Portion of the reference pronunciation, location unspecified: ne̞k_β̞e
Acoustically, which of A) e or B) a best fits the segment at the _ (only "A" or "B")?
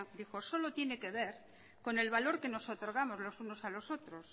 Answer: A